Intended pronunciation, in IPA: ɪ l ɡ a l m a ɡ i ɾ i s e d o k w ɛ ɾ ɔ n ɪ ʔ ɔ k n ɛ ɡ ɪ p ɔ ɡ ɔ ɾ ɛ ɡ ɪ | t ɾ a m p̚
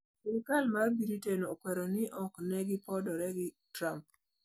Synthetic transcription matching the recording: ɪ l k a l m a b i ɾ i t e n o k w ɛ ɾ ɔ n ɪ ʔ ɔ k n ɛ ɡ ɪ p ɔ d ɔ ɾ ɛ ɡ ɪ | t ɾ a m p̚